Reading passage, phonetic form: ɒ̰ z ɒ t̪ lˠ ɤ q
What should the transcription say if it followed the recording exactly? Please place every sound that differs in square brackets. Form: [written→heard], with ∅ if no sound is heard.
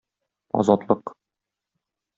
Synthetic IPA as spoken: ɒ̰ z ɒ t̪ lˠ ɤ q